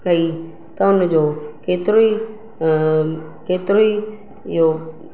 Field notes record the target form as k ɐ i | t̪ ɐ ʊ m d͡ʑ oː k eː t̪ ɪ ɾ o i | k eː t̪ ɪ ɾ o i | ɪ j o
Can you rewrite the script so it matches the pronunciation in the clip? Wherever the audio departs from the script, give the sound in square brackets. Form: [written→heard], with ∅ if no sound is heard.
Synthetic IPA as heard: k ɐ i | t̪ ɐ ʊ [m→n] d͡ʑ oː k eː t̪ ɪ ɾ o i | k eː t̪ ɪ ɾ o i | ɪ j o